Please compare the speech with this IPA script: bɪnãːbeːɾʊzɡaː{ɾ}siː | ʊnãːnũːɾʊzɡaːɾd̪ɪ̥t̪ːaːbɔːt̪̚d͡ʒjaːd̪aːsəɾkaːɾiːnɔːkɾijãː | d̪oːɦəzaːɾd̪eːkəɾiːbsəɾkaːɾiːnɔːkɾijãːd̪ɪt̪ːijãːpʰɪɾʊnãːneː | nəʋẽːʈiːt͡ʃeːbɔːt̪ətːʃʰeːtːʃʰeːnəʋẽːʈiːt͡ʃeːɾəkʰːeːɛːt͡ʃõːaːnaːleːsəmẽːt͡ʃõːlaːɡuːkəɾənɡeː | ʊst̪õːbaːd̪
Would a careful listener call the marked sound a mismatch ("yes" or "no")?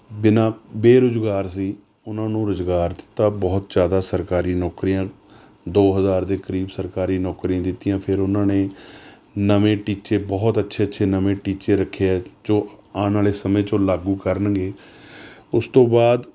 no